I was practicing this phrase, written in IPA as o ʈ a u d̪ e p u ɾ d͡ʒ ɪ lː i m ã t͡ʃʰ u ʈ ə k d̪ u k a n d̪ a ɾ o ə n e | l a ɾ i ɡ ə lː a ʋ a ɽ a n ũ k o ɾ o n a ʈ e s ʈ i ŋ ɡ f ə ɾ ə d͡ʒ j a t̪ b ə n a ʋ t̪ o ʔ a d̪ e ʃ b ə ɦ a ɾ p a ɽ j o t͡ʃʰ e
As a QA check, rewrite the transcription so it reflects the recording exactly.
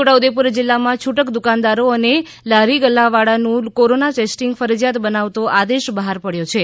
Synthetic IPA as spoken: o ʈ a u d̪ e p u ɾ d͡ʒ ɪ lː a m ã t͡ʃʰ u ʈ ə k d̪ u k a n d̪ a ɾ o ə n e | l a ɾ i ɡ ə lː a ʋ a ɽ a n ũ k o ɾ o n a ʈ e s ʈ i ŋ ɡ f ə ɾ ə d͡ʒ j a t̪ b ə n a ʋ t̪ o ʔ a d̪ e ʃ b ə ɦ a ɾ p ə ɽ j o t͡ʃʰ e